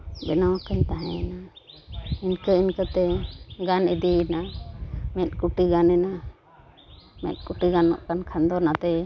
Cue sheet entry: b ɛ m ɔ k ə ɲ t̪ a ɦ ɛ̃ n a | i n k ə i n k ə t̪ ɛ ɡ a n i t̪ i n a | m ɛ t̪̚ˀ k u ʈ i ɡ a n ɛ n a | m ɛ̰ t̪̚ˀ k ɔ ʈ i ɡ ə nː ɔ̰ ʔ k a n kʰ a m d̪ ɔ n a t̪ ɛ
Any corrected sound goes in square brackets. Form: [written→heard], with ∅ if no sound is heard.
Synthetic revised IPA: b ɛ [m→n] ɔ k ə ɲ t̪ a ɦ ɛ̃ n a | i n k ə i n k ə t̪ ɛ ɡ a n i [t̪→d̪] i n a | m ɛ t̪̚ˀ k u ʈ i ɡ a n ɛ n a | m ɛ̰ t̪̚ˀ k [ɔ→u] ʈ i ɡ [ə→a] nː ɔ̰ ʔ k a n kʰ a [m→n] d̪ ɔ n a t̪ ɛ